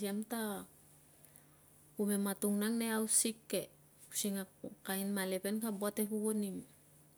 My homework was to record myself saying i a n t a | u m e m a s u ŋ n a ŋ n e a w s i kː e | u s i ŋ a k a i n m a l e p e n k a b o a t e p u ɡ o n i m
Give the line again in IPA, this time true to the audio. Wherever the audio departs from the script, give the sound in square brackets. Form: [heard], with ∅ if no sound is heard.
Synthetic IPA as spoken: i a [m] t a | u m e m a [t] u ŋ n a ŋ n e a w s i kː e | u s i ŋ a k a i n m a l e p e n k a b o a t e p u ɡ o n i m